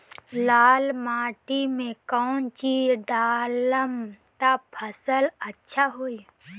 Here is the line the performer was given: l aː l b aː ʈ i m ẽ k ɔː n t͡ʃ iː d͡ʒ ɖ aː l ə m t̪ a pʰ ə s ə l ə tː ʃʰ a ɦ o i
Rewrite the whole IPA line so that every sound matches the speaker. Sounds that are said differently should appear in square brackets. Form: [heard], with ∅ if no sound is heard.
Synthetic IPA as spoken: l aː l [m] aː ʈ i m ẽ k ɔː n t͡ʃ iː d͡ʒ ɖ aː l ə m t̪ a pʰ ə s ə l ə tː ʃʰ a ɦ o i